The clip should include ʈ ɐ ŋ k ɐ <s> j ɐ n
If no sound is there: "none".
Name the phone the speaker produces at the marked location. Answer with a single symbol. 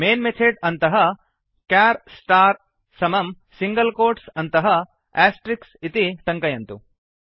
none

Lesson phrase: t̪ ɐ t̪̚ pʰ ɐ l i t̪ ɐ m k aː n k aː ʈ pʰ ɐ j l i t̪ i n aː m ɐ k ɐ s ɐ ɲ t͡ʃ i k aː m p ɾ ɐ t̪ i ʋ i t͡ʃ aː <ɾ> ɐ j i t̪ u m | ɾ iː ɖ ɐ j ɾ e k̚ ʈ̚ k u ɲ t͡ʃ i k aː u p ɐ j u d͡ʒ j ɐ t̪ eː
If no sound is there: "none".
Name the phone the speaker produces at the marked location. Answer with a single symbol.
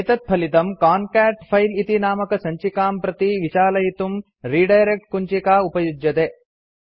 l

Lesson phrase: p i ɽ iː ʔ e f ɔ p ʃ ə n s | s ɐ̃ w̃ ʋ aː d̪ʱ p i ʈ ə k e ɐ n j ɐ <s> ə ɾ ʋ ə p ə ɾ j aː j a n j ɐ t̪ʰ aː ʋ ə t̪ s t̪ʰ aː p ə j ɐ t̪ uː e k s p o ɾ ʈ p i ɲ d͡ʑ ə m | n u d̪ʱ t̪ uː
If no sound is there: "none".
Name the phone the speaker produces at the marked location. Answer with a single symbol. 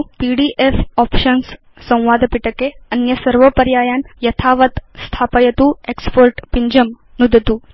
s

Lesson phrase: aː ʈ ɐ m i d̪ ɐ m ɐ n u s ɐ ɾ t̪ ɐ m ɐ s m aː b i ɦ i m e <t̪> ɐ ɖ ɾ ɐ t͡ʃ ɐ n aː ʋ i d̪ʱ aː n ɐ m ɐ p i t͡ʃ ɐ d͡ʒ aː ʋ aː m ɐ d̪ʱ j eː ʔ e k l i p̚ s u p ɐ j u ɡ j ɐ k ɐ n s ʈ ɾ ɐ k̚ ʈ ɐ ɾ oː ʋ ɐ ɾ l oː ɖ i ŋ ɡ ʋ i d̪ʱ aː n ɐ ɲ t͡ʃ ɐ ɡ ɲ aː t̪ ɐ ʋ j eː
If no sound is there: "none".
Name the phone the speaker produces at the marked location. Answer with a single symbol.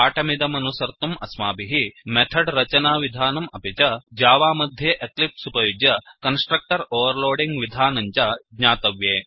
t̪ʰ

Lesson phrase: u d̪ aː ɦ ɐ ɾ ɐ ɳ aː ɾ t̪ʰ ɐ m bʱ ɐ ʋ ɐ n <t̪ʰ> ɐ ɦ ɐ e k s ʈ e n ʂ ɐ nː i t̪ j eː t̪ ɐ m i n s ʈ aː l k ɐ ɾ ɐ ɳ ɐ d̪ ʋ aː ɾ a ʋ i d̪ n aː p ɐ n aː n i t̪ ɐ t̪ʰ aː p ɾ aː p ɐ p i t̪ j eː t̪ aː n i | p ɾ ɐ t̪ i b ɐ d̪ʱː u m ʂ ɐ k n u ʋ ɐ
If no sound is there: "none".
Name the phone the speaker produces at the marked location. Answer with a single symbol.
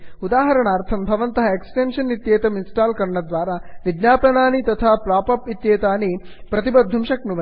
t̪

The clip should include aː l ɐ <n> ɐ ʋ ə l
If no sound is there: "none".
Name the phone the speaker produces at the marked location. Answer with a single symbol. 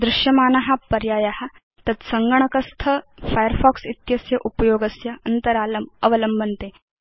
m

